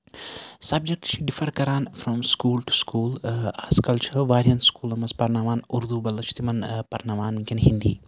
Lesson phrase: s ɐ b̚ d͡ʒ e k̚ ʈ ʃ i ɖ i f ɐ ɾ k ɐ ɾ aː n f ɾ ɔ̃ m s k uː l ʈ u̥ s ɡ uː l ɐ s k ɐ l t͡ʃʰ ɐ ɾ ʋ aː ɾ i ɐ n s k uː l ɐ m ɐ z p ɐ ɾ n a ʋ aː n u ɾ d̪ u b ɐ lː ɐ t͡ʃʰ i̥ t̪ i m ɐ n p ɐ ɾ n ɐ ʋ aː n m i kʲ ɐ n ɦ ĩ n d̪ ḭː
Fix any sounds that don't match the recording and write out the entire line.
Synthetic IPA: s ɐ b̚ d͡ʒ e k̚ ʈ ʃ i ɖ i f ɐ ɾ k ɐ ɾ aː n f ɾ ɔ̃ m s k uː l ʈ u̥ s k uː l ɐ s k ɐ l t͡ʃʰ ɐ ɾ ʋ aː ɾ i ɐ n s k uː l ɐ m ɐ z p ɐ ɾ n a ʋ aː n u ɾ d̪ u b ɐ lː ɐ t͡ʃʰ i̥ t̪ i m ɐ n p ɐ ɾ n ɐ ʋ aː n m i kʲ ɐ n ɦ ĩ n d̪ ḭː